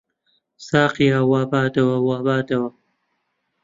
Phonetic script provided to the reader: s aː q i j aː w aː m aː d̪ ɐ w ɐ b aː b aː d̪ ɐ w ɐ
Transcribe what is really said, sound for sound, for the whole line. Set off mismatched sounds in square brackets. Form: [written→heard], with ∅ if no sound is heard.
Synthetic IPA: s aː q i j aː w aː [m→b] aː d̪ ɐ w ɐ [b→w] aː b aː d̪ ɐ w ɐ